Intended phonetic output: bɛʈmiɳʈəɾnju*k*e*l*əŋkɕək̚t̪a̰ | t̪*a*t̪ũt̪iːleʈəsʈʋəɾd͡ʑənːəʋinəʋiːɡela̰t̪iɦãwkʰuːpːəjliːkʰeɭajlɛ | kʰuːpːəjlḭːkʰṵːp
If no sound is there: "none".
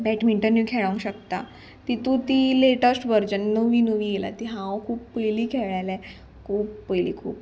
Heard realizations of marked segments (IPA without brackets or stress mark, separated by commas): kʰ, ɭ, i